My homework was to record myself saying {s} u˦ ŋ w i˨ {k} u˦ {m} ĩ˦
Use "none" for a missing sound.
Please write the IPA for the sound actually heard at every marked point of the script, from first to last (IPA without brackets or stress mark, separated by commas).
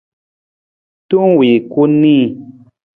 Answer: t, k, n